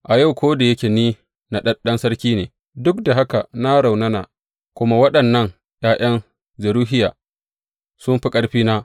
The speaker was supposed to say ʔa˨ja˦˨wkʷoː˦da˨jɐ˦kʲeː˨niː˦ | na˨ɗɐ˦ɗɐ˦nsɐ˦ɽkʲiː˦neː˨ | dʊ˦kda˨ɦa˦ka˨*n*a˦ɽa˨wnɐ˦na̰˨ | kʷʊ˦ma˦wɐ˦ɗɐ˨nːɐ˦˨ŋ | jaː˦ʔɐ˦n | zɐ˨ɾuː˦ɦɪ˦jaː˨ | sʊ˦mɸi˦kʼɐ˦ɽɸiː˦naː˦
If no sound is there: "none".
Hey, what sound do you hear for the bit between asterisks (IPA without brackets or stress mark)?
n